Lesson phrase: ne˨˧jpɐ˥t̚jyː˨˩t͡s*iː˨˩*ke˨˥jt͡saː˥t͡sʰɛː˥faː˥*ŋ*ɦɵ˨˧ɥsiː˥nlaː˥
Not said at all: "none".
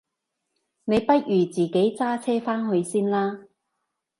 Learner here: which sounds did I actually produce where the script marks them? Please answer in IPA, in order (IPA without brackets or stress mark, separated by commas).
iː˨˩, n